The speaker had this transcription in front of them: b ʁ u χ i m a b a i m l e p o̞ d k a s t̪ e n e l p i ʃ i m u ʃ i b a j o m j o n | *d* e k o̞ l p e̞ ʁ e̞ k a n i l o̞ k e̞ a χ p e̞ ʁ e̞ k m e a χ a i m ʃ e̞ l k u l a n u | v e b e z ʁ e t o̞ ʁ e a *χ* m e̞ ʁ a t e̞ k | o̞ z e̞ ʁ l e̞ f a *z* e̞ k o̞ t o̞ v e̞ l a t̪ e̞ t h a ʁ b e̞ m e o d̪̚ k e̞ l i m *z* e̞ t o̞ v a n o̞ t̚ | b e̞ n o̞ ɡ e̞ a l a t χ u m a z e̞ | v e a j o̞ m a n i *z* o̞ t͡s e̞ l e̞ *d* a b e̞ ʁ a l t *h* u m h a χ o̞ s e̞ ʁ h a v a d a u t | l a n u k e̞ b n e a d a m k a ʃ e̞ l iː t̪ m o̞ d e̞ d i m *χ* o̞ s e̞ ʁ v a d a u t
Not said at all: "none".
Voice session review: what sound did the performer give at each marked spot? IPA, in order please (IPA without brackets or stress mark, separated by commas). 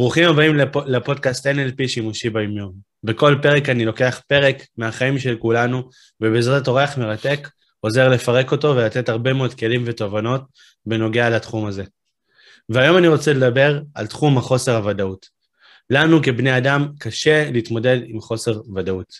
b, χ, ʁ, v, ʁ, d, χ, χ